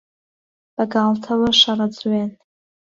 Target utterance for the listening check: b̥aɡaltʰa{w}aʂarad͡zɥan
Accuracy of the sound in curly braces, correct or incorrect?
correct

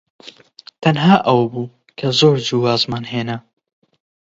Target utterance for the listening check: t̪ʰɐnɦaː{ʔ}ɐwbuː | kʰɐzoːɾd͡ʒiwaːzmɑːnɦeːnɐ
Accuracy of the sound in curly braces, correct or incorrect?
correct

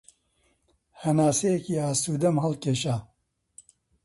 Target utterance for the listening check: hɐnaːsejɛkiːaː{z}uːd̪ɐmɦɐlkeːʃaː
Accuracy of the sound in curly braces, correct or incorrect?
incorrect: s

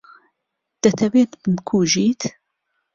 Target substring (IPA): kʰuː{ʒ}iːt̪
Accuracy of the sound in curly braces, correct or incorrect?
correct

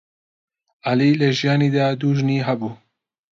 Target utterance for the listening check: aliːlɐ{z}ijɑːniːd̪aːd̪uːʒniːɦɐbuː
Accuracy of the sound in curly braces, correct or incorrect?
incorrect: ʒ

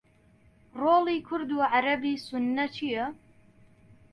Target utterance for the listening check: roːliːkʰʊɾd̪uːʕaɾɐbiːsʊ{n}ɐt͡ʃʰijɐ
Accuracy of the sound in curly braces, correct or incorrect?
incorrect: nː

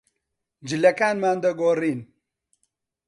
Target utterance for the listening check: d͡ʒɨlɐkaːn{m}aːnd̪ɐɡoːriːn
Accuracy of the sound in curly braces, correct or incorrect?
correct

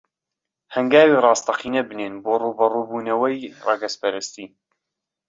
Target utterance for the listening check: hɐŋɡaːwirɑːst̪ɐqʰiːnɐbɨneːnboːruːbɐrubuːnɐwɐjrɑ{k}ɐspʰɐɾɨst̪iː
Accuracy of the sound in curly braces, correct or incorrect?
incorrect: ɡ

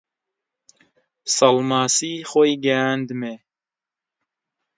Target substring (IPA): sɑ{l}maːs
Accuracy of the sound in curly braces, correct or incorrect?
correct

